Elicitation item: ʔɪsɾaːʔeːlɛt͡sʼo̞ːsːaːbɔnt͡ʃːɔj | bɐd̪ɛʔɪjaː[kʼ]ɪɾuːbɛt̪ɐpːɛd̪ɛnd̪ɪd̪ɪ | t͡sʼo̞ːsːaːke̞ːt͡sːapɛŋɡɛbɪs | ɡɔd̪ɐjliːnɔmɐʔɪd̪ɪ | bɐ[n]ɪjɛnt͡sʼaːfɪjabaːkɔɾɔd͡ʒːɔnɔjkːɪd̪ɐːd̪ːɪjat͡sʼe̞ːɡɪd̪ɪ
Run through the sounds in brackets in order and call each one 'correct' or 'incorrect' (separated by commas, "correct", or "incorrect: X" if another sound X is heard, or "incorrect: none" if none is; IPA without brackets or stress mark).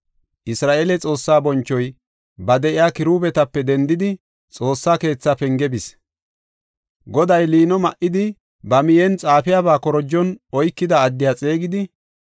incorrect: k, incorrect: m